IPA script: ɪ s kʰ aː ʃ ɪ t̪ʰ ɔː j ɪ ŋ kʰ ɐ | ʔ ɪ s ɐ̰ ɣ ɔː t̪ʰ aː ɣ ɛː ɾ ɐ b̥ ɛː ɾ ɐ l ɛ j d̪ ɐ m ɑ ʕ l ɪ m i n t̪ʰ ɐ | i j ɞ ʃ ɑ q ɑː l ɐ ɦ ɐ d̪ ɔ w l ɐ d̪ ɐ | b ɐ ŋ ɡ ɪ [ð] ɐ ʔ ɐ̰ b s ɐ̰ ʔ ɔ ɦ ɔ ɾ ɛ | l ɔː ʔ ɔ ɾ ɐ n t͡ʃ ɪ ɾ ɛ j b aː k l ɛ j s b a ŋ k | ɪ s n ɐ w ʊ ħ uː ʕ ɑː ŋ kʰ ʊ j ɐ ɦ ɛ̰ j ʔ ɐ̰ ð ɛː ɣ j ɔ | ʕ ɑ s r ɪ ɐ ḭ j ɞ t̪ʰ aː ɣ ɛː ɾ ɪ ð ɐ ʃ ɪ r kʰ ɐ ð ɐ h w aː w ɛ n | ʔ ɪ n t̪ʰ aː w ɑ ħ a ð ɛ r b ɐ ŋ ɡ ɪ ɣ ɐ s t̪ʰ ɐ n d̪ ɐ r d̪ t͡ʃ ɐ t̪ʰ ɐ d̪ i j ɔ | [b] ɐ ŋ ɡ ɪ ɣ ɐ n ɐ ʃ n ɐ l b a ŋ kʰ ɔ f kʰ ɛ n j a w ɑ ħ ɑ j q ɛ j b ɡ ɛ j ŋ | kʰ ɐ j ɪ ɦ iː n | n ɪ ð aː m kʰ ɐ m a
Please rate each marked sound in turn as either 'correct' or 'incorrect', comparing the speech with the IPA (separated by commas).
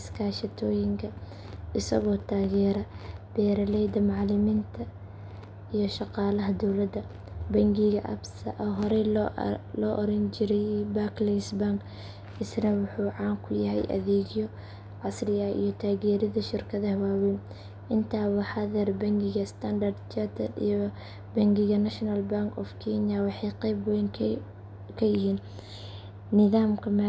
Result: incorrect, correct